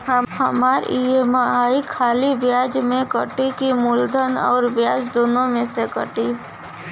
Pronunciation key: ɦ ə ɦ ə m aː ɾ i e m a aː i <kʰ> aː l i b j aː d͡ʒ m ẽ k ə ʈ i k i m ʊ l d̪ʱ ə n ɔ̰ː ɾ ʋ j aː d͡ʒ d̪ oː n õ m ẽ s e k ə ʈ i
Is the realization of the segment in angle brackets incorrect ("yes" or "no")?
no